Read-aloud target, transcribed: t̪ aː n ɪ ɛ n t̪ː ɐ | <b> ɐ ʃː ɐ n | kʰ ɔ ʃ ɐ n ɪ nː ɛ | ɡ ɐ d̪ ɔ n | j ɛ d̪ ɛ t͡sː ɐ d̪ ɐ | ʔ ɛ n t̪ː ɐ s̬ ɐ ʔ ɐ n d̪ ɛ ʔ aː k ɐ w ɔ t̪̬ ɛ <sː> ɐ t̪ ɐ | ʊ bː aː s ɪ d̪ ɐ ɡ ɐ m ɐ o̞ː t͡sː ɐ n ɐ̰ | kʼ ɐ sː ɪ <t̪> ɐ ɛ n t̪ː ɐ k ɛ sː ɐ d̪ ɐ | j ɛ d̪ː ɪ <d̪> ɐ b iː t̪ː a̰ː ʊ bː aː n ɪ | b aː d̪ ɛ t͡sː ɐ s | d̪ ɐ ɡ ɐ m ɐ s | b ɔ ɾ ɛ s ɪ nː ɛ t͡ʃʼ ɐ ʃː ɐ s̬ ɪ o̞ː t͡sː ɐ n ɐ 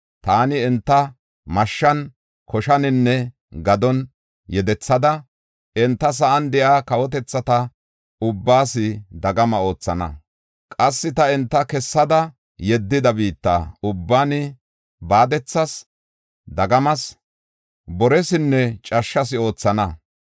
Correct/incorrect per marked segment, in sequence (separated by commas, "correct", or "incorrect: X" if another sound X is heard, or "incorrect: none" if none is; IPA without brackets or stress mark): incorrect: m, incorrect: t͡sː, correct, correct